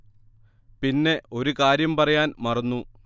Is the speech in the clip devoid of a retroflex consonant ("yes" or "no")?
yes